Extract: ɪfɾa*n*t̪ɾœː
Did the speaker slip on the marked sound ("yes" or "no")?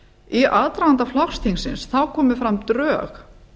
yes